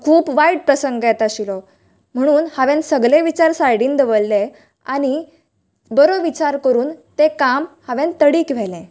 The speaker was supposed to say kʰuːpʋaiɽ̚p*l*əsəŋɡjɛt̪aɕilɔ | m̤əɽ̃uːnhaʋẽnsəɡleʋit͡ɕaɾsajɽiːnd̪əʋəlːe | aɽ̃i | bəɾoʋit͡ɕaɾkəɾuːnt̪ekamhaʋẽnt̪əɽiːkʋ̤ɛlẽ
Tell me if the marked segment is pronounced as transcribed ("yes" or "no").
no